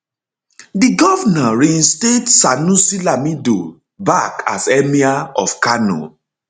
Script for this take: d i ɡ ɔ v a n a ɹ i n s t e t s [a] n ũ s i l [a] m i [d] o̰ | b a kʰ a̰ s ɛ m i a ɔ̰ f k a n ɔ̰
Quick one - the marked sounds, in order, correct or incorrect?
correct, correct, correct

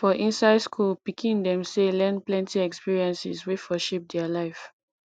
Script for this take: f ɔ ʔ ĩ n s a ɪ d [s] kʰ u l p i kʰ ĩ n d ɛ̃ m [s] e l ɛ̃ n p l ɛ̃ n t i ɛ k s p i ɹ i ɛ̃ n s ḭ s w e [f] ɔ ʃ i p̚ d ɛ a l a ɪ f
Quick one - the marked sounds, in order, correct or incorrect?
correct, correct, correct

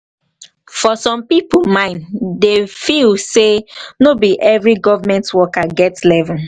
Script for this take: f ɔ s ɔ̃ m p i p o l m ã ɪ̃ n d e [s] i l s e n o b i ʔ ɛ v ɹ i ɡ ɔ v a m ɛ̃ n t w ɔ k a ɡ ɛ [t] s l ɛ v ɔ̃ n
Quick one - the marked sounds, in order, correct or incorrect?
incorrect: f, correct

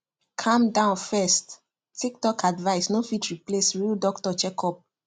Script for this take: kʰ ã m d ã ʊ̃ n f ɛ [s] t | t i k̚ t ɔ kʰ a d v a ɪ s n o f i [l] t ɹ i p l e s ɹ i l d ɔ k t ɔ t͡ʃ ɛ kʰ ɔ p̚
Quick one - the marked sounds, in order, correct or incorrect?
correct, incorrect: none

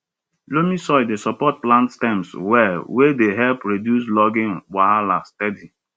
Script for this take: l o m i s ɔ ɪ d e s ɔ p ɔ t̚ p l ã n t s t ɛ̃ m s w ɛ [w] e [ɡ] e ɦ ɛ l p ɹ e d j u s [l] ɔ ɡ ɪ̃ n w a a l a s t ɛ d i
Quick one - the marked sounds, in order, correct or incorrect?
correct, incorrect: d, correct

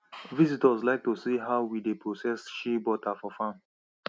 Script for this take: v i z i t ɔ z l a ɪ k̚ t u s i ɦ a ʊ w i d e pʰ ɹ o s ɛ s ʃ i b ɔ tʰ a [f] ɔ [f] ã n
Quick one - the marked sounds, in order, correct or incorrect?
correct, correct

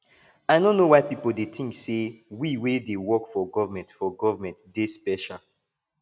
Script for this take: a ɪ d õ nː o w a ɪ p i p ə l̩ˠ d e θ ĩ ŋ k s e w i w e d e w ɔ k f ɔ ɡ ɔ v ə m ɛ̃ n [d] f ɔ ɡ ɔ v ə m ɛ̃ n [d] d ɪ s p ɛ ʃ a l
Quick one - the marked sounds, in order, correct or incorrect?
incorrect: t, incorrect: t

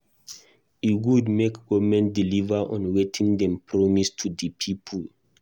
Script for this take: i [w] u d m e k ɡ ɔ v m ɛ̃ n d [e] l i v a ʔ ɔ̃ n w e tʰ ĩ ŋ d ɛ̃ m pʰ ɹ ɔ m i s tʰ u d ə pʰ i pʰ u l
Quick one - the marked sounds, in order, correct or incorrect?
correct, incorrect: i

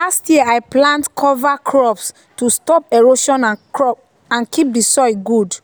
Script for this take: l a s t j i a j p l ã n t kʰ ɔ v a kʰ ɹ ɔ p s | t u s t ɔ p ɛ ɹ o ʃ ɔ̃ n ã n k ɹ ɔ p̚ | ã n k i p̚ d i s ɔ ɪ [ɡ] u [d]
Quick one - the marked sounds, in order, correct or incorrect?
correct, correct

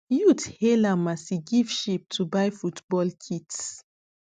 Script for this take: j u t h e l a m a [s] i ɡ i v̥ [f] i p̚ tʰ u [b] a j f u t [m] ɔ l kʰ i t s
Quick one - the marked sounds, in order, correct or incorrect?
correct, incorrect: ʃ, correct, incorrect: b

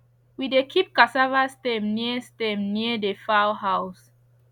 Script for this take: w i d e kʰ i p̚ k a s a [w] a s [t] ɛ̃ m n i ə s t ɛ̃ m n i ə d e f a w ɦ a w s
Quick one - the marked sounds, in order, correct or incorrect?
incorrect: v, correct

